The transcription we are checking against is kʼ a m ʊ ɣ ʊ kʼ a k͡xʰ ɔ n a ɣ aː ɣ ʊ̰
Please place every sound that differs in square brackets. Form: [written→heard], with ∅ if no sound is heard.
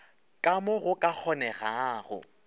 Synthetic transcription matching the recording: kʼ a m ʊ ɣ ʊ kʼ a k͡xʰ ɔ n [a→ɛ] ɣ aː ɣ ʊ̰